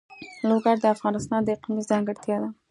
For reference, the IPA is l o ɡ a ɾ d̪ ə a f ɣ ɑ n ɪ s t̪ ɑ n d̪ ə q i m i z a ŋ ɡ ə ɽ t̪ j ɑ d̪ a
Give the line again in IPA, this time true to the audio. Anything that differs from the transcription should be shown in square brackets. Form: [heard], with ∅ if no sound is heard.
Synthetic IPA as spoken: l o ɡ a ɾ d̪ ə a f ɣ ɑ n ɪ s t̪ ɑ n d̪ ə q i m i z [ɑ] ŋ ɡ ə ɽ t̪ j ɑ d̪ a